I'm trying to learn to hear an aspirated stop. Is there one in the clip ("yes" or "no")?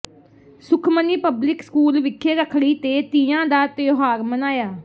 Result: yes